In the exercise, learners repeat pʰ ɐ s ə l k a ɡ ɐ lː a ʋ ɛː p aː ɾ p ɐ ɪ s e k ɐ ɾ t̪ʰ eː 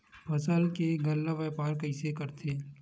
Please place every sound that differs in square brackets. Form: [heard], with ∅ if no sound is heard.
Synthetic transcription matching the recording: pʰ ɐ s ə l k [e] ɡ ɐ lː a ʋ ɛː p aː ɾ [k] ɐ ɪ s e k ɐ ɾ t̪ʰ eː

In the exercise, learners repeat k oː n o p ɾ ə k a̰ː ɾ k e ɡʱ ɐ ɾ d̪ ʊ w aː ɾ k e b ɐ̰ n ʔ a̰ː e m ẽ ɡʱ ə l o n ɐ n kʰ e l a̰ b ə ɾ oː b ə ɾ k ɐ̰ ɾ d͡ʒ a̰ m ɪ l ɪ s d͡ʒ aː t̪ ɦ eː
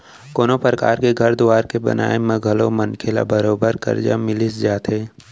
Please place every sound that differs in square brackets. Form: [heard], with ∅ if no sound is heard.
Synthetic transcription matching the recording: k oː n o p ɾ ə k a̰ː ɾ k e ɡʱ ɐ ɾ d̪ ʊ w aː ɾ k e b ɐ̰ n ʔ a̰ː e m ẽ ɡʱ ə l o [m] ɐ n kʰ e l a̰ b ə ɾ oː b ə ɾ k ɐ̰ ɾ d͡ʒ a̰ m ɪ l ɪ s d͡ʒ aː t̪ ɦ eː

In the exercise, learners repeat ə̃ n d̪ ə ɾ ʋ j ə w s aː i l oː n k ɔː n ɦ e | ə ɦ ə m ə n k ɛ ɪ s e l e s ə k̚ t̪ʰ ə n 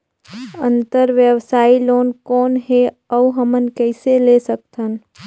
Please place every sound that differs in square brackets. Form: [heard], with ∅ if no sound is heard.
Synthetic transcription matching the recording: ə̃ n [t̪] ə ɾ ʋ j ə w s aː i l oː n k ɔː n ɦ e | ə ɦ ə m ə n k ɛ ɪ s e l e s ə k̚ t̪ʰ ə n

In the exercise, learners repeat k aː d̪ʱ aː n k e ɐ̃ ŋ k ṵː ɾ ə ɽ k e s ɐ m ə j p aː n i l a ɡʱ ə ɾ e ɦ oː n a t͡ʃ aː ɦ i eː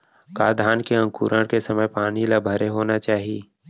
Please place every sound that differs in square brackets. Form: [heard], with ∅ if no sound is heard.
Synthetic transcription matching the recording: k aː d̪ʱ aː n k e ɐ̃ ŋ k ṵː ɾ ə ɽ k e s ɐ m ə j p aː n i l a [bʱ] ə ɾ e ɦ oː n a t͡ʃ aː ɦ i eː

